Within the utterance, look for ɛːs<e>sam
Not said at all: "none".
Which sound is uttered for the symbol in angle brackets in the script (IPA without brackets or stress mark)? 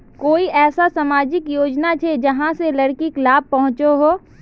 a